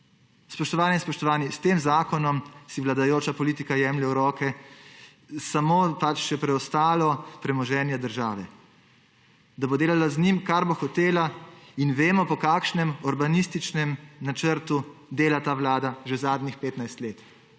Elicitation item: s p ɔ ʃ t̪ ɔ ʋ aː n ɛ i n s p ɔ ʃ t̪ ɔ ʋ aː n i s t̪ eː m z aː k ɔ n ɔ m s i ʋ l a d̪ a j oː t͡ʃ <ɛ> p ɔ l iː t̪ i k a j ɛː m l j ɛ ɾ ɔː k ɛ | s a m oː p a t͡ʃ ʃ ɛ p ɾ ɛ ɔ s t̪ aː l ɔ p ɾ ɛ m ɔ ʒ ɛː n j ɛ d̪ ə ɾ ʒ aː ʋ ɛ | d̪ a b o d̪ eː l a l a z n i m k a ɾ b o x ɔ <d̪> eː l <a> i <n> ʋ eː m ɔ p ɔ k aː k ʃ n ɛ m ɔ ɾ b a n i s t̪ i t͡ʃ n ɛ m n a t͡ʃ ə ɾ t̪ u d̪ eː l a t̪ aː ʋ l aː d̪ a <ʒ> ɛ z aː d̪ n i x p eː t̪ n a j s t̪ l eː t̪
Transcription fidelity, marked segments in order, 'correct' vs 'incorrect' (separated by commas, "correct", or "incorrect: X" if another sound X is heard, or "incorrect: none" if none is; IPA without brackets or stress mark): incorrect: a, incorrect: t̪, correct, correct, correct